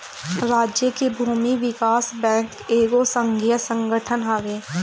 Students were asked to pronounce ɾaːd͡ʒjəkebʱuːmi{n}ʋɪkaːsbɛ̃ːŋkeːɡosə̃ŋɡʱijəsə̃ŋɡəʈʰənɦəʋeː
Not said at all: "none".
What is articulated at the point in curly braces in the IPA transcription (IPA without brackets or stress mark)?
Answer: none